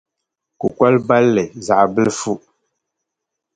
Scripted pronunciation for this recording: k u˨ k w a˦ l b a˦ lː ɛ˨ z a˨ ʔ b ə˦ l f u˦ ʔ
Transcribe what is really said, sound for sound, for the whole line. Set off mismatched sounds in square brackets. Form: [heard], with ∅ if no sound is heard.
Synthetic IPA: k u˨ k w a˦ l b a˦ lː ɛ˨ z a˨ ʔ b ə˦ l f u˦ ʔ